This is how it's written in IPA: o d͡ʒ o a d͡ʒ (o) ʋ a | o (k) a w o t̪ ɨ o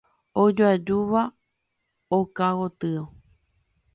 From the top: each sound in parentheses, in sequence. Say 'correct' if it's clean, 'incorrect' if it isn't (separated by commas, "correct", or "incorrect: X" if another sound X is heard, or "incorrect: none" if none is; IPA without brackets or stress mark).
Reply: incorrect: u, correct